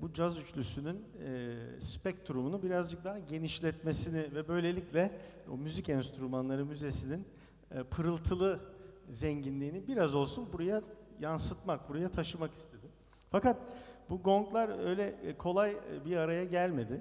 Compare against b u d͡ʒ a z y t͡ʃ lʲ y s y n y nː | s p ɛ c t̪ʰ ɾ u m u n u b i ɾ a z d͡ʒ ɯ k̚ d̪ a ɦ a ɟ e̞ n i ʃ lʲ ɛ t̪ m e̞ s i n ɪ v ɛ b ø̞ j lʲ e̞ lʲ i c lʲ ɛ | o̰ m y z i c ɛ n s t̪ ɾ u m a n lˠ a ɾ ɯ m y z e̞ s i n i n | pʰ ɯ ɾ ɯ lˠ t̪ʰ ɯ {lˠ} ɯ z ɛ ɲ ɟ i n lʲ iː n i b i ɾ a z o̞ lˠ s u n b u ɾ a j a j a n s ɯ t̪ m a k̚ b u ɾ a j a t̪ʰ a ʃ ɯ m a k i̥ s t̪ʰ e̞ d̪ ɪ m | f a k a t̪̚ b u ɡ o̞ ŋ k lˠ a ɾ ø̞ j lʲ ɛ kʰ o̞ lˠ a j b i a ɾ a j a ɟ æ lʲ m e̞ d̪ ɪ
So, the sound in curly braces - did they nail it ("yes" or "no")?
yes